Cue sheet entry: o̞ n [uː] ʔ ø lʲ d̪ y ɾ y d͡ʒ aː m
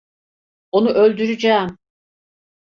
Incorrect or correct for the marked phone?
incorrect: u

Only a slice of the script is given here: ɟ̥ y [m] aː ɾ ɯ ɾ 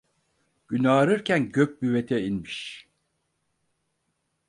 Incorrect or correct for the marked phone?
incorrect: n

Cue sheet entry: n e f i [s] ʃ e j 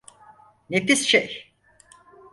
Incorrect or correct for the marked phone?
correct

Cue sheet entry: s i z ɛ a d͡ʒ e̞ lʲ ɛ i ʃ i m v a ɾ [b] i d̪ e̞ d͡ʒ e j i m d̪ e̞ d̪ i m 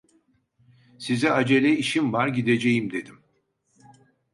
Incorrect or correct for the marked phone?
incorrect: ɟ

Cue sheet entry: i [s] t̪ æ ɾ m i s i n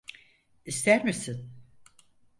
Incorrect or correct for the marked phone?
correct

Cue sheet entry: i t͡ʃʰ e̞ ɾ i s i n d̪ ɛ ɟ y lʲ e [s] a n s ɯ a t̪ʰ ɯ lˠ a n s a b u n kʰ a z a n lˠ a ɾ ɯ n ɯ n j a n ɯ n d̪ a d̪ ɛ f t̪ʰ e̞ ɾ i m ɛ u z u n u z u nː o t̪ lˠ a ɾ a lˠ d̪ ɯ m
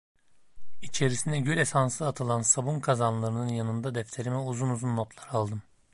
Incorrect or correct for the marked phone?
correct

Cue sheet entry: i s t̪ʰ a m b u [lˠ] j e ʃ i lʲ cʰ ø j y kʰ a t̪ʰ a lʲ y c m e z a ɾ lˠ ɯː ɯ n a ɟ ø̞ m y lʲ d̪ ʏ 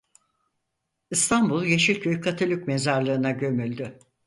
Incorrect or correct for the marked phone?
correct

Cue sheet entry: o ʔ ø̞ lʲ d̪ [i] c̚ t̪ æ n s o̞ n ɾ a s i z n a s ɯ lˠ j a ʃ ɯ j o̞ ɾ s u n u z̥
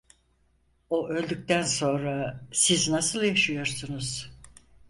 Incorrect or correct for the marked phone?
incorrect: y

